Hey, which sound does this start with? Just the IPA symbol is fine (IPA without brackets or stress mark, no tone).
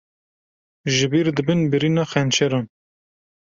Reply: ʒ